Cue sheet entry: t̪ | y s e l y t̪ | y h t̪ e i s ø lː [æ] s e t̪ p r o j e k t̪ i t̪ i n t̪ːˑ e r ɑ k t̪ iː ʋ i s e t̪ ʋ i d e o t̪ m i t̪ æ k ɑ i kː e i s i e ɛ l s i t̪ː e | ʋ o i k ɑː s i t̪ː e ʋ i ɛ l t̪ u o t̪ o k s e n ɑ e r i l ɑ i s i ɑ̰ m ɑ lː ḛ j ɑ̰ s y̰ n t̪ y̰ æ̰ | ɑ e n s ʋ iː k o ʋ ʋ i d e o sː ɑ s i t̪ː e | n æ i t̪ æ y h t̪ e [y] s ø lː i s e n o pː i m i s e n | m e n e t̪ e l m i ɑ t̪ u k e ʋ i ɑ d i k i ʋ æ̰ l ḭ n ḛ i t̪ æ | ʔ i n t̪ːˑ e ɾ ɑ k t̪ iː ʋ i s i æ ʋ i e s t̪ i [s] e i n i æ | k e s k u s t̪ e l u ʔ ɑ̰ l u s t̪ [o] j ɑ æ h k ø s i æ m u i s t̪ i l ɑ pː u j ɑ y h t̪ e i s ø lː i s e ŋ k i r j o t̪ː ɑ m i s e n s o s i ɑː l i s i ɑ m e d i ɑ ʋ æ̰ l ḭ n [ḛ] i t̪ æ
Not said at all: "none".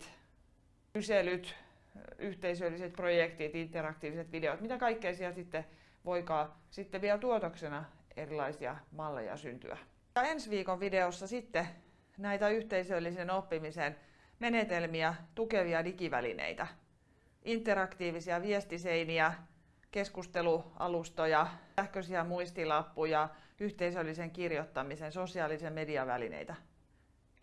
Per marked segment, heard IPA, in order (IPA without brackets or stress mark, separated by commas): i, i, s, o, ḛ